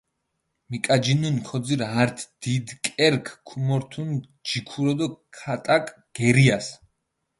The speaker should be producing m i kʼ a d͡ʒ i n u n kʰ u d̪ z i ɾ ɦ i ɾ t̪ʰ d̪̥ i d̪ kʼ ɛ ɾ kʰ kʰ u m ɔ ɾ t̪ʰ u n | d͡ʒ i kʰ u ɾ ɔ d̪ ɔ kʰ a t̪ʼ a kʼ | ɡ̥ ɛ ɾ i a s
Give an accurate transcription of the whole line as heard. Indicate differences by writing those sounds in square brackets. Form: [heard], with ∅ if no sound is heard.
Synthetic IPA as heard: m i kʼ a d͡ʒ i n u n kʰ [ɔ] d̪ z i ɾ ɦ [a] ɾ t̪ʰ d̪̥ i d̪ kʼ ɛ ɾ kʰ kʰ u m ɔ ɾ t̪ʰ u n | d͡ʒ i kʰ u ɾ ɔ d̪ ɔ kʰ a t̪ʼ a kʼ | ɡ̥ ɛ ɾ i a s